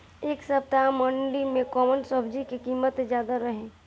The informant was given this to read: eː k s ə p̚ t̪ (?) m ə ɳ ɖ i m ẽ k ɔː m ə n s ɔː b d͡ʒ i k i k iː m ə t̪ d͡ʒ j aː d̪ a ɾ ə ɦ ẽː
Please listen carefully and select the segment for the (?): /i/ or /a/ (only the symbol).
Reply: a